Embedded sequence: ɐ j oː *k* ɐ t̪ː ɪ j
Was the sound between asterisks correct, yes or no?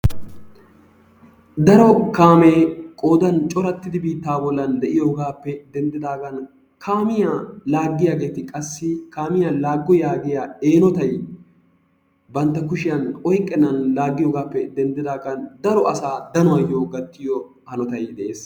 no